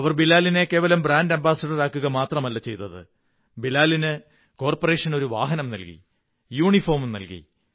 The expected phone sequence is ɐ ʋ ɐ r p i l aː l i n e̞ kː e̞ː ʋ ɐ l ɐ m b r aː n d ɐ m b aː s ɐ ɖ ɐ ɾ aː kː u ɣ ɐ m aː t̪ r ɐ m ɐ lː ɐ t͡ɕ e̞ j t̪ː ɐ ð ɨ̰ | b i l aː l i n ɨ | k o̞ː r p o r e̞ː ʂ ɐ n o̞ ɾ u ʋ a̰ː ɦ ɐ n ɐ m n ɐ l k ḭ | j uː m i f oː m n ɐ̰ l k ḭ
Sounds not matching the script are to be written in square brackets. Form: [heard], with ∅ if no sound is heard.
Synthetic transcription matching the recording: ɐ ʋ ɐ r [b] i l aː l i n e̞ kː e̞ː ʋ ɐ l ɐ m b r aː n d ɐ m b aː s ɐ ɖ ɐ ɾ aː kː u ɣ ɐ m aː t̪ r ɐ m ɐ lː ɐ t͡ɕ e̞ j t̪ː ɐ ð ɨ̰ | b i l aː l i n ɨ | k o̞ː r p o r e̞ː ʂ ɐ n o̞ ɾ u ʋ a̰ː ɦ ɐ n ɐ m n ɐ l k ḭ | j uː [ɳ] i f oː m n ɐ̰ l k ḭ